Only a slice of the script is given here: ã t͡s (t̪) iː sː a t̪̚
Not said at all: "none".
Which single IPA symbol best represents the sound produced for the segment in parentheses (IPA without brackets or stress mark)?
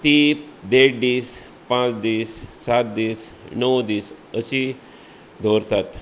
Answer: d̪